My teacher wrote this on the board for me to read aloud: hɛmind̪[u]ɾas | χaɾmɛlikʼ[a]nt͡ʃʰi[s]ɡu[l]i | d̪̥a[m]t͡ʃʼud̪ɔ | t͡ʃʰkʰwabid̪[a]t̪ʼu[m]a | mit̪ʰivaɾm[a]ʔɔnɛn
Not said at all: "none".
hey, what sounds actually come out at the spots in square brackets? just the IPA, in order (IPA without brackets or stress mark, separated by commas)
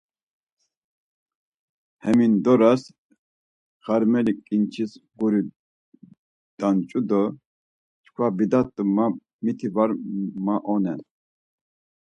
ɔ, i, s, ɾ, n, a, m, a